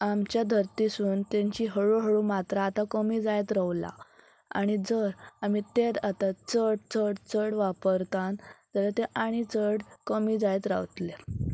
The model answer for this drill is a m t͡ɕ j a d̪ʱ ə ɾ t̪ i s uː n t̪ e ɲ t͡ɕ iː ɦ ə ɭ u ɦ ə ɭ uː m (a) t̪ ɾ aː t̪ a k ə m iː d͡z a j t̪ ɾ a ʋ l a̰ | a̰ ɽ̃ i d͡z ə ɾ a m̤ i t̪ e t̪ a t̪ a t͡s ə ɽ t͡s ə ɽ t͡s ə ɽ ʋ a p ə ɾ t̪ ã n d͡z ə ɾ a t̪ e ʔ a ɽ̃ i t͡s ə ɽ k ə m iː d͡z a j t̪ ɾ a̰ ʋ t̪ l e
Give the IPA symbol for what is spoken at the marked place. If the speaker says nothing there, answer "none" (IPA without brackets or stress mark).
a